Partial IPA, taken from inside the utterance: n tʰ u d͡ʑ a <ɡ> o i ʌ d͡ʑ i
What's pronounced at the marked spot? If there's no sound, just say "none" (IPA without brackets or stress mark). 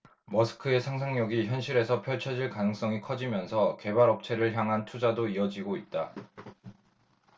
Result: d